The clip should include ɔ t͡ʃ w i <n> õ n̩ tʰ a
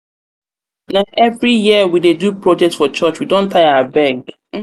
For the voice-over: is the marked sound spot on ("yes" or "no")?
no